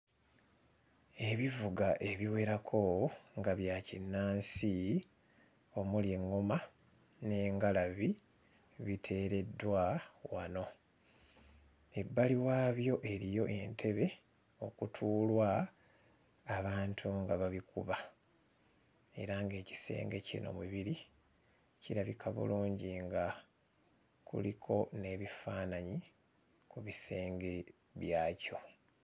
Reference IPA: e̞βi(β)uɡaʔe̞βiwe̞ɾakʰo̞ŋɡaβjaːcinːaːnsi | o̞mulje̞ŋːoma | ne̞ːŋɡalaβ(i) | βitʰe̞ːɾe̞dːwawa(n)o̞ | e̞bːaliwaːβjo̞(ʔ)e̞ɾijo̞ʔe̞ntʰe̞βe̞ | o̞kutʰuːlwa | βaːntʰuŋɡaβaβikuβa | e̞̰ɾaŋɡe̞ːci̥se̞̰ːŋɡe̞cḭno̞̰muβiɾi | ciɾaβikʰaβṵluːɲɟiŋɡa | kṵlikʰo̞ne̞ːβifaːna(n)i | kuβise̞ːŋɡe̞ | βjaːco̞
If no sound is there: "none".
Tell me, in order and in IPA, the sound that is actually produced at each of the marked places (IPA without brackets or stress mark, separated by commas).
v, i, n, ʔ, ɲ